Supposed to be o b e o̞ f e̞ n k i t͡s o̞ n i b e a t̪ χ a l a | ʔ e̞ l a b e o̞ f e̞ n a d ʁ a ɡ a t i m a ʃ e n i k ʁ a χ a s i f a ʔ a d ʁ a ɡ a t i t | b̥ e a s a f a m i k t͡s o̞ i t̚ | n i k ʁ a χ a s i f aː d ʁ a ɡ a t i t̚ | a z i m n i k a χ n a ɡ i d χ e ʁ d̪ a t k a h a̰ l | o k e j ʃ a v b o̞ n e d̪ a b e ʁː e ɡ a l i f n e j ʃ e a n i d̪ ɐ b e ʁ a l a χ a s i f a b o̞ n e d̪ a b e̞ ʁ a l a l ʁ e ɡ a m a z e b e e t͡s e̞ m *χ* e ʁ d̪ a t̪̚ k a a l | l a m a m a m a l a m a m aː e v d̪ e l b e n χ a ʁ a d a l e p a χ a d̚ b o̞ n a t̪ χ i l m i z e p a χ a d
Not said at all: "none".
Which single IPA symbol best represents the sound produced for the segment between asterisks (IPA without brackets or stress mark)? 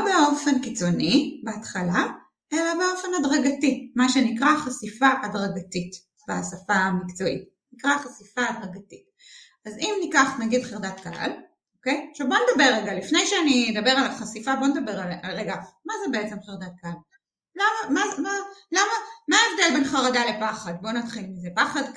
χ